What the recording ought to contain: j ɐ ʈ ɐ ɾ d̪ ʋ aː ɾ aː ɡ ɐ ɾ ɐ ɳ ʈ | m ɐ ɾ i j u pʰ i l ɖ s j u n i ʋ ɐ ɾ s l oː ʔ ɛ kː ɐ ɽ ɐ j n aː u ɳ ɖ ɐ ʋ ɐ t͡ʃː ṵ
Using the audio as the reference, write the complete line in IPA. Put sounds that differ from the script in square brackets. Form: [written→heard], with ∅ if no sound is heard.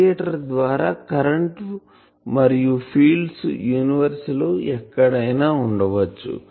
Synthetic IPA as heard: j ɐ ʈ ɐ ɾ d̪ ʋ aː ɾ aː [ɡ→k] ɐ ɾ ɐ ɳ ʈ | m ɐ ɾ i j u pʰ [i→iː] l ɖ s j [u→uː] n i ʋ ɐ ɾ s l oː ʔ ɛ kː ɐ ɽ ɐ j n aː u ɳ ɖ ɐ ʋ ɐ t͡ʃː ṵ